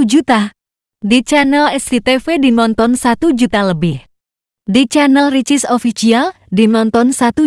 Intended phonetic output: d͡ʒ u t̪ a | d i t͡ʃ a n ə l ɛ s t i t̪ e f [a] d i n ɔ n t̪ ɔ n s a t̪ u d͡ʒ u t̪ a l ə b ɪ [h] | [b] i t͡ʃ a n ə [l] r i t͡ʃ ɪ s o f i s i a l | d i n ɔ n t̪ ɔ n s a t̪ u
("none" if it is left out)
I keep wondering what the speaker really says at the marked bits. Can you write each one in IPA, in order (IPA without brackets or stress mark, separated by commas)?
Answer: e, h, d, l